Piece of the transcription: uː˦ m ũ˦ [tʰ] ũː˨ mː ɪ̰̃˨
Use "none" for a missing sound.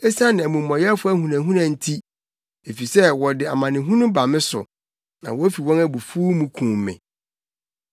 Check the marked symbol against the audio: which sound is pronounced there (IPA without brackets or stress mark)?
kʰ